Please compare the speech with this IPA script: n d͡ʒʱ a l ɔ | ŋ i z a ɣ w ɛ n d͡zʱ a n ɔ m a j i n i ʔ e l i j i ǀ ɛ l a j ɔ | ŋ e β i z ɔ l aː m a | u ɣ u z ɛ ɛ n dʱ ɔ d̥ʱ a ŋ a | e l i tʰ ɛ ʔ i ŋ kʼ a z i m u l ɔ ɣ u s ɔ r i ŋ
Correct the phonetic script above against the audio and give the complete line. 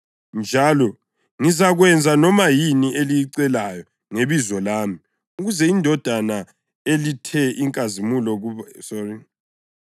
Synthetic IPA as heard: n d͡ʒʱ a l ɔ | ŋ i z a ɣ w ɛ n d͡zʱ a n ɔ m a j i n i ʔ e l i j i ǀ ɛ l a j ɔ | ŋ e β i z ɔ l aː m i | u ɣ u z ɛ i n dʱ ɔ d̥ʱ a n a | e l i tʰ ɛ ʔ i ŋ kʼ a z i m u l ɔ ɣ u s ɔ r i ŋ